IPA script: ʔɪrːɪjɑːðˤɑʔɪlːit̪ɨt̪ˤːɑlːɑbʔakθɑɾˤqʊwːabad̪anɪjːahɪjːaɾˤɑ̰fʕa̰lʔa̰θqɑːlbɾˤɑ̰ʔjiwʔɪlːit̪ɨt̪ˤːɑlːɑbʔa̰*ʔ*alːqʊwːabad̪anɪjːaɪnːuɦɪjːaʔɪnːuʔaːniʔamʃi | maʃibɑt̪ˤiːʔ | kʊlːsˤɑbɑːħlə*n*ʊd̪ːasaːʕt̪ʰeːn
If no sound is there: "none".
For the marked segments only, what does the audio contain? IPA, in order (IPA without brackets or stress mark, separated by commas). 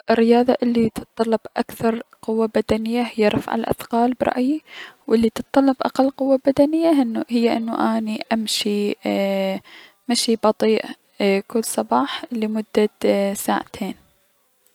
q, m